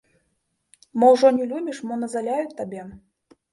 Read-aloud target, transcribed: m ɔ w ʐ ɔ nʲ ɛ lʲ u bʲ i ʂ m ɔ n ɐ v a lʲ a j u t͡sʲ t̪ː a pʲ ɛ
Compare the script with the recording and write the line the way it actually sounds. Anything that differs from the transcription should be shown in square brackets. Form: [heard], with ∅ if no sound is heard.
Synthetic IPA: m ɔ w ʐ ɔ nʲ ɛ lʲ u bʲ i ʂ m ɔ n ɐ [z] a lʲ a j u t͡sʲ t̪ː a [bʲ] ɛ